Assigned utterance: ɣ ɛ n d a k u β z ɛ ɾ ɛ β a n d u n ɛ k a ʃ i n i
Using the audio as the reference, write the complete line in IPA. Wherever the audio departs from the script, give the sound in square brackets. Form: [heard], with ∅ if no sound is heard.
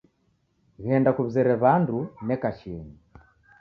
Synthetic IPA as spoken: ɣ ɛ n d a k u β z ɛ ɾ ɛ β a n d u n ɛ k a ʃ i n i